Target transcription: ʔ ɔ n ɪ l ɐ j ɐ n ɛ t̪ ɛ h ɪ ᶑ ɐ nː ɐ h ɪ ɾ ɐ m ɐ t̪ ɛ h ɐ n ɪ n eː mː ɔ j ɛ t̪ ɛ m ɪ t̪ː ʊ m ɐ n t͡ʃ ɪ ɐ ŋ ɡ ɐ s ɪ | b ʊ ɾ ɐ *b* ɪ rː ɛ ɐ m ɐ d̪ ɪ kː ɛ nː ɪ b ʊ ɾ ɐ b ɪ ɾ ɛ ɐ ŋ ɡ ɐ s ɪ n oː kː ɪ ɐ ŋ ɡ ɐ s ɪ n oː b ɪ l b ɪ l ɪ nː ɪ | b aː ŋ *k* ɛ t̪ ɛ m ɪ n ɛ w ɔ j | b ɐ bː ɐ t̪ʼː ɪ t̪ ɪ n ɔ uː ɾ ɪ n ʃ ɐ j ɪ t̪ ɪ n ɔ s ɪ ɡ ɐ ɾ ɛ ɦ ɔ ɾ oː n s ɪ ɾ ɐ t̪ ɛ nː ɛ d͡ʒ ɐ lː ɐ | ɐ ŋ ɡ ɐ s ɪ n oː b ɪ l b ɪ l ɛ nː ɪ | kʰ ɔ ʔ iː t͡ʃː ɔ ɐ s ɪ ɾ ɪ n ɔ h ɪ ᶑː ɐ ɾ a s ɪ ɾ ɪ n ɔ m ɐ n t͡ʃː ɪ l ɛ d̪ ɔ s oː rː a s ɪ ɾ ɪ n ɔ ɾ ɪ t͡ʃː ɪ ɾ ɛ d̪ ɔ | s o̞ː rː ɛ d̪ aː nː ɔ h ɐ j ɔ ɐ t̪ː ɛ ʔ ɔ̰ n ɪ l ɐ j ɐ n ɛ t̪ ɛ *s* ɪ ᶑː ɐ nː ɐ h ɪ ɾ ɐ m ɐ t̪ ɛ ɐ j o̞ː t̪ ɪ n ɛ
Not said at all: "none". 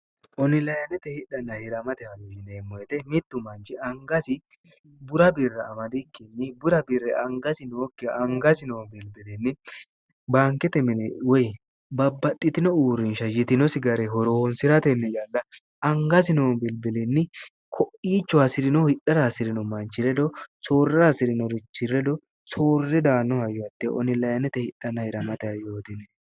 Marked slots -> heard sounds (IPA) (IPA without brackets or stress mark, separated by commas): b, k, h